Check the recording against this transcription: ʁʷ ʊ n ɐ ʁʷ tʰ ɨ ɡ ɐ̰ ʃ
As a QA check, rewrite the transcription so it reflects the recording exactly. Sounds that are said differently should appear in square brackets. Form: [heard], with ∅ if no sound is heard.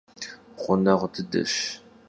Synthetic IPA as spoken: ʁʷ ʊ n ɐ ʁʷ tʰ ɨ [d] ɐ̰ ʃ